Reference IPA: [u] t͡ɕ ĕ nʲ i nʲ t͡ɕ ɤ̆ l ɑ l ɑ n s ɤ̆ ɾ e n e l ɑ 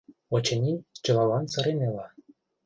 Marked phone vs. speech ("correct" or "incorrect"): incorrect